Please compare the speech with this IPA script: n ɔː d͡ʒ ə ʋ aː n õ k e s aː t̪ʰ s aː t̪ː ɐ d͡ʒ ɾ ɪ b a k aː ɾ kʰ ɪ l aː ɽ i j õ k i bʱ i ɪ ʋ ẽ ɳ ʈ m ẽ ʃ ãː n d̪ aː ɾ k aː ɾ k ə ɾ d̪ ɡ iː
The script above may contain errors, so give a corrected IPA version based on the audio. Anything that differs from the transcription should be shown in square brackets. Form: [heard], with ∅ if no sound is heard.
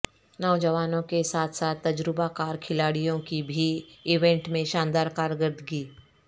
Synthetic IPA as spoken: n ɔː d͡ʒ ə ʋ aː n õ k e s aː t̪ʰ s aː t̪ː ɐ d͡ʒ ɾ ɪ b a k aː ɾ kʰ ɪ l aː ɽ i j õ k i bʱ i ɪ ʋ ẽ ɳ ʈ m ẽ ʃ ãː n d̪ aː ɾ k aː ɾ [ɡ] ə ɾ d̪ ɡ iː